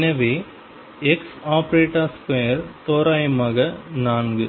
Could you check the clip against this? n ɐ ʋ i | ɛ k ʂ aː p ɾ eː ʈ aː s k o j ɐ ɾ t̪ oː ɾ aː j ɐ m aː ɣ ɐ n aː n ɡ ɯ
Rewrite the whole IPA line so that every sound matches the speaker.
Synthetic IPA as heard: n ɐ ʋ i | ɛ k s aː p ɾ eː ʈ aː s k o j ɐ ɾ t̪ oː ɾ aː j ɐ m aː ɣ ɐ n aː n ɡ ɯ